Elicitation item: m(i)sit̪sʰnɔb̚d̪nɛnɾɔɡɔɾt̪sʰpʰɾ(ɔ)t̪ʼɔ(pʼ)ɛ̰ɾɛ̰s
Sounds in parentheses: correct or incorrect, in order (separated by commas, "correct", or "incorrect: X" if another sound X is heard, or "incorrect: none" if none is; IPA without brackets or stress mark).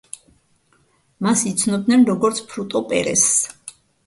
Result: incorrect: a, incorrect: u, correct